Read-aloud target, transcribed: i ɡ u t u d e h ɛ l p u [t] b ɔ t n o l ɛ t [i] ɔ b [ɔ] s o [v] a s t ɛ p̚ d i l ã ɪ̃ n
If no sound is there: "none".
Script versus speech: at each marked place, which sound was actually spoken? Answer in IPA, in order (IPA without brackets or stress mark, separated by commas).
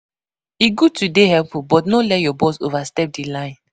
none, j, ɔ, v